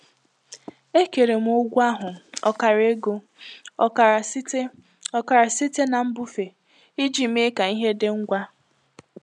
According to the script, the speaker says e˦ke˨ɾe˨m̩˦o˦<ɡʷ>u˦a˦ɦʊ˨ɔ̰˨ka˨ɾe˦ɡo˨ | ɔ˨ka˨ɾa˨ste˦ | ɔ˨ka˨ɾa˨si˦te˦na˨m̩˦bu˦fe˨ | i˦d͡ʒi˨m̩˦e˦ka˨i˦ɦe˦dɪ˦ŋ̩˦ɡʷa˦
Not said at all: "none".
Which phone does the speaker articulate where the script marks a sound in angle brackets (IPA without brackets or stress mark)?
ɡʷ